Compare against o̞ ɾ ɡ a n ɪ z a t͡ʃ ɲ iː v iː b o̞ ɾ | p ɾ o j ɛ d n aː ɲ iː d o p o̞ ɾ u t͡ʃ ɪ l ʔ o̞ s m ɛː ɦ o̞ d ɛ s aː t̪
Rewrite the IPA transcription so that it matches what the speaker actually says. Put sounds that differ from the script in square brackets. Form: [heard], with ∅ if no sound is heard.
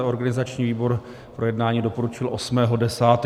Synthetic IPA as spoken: o̞ ɾ ɡ a n ɪ z a t͡ʃ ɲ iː v iː b o̞ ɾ | p ɾ o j ɛ d n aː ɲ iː d o p o̞ ɾ u t͡ʃ ɪ l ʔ o̞ s m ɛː ɦ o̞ d ɛ s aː t̪